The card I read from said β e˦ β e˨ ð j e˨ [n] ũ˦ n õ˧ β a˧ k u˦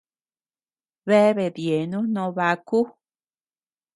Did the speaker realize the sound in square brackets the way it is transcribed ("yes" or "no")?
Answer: yes